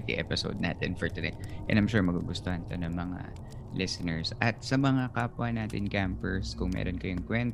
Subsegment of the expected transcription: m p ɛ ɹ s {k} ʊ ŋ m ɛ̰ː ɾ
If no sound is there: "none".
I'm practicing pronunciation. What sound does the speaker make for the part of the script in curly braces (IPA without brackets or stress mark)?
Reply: k